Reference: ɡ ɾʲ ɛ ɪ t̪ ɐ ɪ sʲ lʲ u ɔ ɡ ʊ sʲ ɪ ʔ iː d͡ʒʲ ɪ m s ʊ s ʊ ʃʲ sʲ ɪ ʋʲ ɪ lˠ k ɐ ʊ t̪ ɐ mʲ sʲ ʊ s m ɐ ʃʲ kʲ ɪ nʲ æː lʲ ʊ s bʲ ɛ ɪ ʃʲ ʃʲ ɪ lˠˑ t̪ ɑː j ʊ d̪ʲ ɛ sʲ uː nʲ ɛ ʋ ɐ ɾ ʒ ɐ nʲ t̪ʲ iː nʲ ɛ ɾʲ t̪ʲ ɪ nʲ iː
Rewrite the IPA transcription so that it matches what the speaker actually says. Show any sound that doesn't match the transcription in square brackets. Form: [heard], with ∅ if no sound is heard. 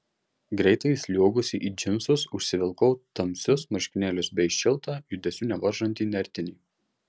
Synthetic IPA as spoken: ɡ ɾʲ ɛ ɪ t̪ ɐ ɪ sʲ lʲ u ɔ ɡ ʊ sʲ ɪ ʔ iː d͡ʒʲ ɪ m s ʊ s ʊ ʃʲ sʲ ɪ ʋʲ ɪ lˠ k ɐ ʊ t̪ ɐ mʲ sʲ ʊ s m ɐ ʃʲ kʲ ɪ nʲ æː lʲ ʊ s bʲ ɛ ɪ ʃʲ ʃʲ ɪ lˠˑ t̪ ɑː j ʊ d̪ʲ ɛ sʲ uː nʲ ɛ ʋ ɐ ɾ ʒ ɐ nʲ t̪ʲ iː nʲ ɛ ɾʲ t̪ʲ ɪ nʲ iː